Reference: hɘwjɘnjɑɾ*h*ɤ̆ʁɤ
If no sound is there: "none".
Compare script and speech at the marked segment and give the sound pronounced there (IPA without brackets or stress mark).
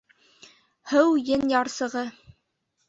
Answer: s